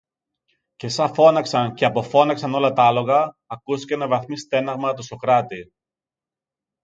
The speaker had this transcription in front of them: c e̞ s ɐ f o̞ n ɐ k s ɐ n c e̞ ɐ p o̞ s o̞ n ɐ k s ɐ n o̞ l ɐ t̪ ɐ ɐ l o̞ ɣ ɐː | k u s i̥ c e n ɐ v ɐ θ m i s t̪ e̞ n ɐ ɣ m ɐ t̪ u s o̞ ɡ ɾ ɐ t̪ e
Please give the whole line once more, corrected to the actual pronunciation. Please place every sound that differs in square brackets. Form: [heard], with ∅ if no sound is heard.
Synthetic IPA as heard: c e̞ s ɐ f o̞ n ɐ k s ɐ n c e̞ ɐ p o̞ [f] o̞ n ɐ k s ɐ n o̞ l ɐ t̪ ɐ ɐ l o̞ ɣ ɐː | k u s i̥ c e n ɐ v ɐ θ m i s t̪ e̞ n ɐ ɣ m ɐ t̪ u s o̞ [k] ɾ ɐ t̪ [i]